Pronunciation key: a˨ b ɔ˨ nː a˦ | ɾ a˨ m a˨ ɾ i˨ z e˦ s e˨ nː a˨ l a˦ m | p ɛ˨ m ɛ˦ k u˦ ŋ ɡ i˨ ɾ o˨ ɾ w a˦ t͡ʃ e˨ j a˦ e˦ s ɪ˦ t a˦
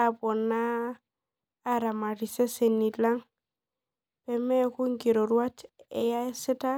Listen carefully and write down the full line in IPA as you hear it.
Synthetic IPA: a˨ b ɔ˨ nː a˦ | ɾ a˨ m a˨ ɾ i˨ s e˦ s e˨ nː i˨ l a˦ ŋ | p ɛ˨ m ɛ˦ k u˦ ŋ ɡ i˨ ɾ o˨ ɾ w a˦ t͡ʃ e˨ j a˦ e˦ s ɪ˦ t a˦